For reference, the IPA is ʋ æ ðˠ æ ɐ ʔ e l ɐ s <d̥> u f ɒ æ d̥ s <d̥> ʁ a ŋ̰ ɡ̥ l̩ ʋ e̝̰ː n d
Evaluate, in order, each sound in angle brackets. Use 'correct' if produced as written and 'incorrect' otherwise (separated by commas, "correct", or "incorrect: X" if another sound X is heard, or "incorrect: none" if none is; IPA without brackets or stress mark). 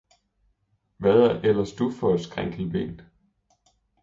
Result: correct, incorrect: ɡ̥